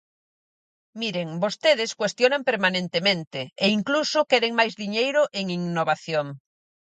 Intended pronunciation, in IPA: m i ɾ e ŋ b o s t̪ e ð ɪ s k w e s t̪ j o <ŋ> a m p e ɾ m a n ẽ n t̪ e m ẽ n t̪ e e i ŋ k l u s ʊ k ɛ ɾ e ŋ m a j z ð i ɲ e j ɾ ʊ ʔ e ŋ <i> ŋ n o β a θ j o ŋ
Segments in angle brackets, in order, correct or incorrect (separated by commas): incorrect, correct